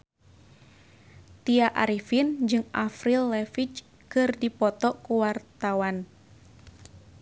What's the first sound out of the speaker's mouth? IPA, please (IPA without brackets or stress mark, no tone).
t̪